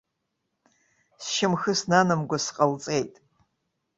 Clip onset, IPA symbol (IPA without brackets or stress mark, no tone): s